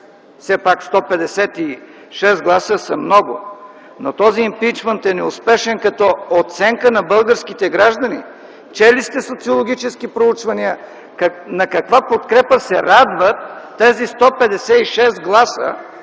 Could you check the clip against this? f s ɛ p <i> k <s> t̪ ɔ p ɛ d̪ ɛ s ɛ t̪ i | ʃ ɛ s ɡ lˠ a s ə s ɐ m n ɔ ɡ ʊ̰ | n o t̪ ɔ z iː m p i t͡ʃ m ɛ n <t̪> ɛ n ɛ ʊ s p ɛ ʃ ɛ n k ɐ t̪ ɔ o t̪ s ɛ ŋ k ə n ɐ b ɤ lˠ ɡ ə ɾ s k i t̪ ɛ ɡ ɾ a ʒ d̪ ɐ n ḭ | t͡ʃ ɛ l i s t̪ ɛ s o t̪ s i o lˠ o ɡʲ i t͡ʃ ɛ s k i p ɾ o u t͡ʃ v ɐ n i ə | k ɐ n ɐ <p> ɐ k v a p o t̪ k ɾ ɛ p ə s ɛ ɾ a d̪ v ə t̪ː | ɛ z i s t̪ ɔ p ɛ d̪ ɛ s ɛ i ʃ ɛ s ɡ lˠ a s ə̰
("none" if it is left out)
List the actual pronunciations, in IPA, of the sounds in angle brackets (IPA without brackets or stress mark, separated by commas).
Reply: a, s, t̪, k